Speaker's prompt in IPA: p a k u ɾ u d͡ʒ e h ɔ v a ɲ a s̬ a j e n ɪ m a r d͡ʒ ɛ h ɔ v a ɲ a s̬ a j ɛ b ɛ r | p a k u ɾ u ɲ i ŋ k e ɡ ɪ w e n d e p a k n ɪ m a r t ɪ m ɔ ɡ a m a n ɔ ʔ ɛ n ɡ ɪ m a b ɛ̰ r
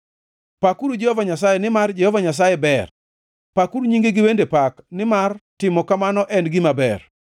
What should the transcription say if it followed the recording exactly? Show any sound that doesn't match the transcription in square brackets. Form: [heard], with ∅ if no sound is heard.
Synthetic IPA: p a k u ɾ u d͡ʒ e h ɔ v a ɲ a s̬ a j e n ɪ m a r d͡ʒ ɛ h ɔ v a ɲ a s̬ a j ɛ b ɛ r | p a k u ɾ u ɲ i ŋ [ɡ] e ɡ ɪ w e n d e p a k n ɪ m a r t ɪ m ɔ [k] a m a n ɔ ʔ ɛ n ɡ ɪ m a b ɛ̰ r

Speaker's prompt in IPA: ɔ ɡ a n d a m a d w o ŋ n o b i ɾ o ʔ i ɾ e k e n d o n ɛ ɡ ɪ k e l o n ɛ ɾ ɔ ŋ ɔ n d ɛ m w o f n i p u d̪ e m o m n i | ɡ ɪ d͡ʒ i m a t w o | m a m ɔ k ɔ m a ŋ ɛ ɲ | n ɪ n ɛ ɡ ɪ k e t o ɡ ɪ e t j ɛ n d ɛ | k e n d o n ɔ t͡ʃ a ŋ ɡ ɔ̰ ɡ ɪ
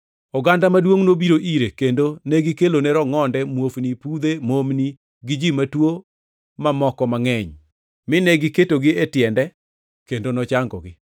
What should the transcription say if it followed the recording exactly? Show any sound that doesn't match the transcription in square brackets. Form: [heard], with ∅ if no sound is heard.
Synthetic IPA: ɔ ɡ a n d a m a d w o ŋ n o b i ɾ o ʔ i ɾ e k e n d o n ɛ ɡ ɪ k e l o n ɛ ɾ ɔ ŋ ɔ n d ɛ m w o f n i p u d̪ e m o m n i | ɡ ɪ d͡ʒ i m a t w o | m a m ɔ k ɔ m a ŋ ɛ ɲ | [m] ɪ n ɛ ɡ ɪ k e t o ɡ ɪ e t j ɛ n d ɛ | k e n d o n ɔ t͡ʃ a ŋ ɡ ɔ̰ ɡ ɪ

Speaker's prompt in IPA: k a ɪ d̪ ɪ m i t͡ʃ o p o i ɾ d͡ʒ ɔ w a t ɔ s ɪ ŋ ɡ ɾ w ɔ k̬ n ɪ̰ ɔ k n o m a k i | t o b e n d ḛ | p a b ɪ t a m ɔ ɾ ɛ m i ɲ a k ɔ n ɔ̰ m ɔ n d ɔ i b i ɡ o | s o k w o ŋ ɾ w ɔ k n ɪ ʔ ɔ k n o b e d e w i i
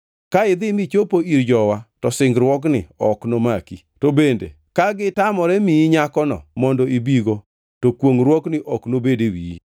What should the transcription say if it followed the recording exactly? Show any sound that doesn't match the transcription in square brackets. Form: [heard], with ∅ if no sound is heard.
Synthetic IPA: k a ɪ d̪ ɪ m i t͡ʃ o p o i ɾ d͡ʒ ɔ w a t ɔ s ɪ ŋ ɡ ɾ w ɔ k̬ n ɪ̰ ɔ k n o m a k i | t o b e n d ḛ | [k] a [ɡ] ɪ t a m ɔ ɾ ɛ m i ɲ a k ɔ n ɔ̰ m ɔ n d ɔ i b i ɡ o | [t] o k w o ŋ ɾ w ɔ k n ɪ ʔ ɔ k n o b e d e w i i

